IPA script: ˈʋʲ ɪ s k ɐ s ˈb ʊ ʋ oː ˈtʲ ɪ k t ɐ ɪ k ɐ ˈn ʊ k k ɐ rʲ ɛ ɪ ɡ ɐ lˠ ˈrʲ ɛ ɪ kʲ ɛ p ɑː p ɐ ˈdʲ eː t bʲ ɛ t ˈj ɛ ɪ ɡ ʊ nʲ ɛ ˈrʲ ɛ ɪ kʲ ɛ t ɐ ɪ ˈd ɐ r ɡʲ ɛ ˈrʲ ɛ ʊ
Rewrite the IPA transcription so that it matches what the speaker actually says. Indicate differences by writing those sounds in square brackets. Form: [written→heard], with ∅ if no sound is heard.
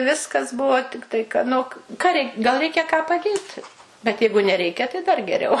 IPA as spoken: ˈʋʲ ɪ s k ɐ s ˈb ʊ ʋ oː ˈtʲ ɪ k t ɐ ɪ k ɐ ˈn ʊ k k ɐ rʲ ɛ ɪ ɡ ɐ lˠ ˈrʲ ɛ ɪ kʲ ɛ [p→k] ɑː p ɐ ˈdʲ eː t bʲ ɛ t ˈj ɛ ɪ ɡ ʊ nʲ ɛ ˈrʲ ɛ ɪ kʲ ɛ t ɐ ɪ ˈd ɐ r ɡʲ ɛ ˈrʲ ɛ ʊ